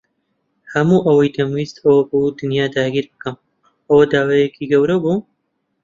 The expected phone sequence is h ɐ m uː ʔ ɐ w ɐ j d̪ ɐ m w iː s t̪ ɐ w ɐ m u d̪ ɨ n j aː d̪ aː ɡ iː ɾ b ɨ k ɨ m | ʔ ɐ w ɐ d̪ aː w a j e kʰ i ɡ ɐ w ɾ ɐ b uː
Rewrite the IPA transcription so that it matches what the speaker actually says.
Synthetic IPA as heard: h ɐ m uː ʔ ɐ w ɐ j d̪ ɐ m w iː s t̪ ɐ w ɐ b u d̪ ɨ n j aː d̪ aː ɡ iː ɾ b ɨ k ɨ m | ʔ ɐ w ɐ d̪ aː w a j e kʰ i ɡ ɐ w ɾ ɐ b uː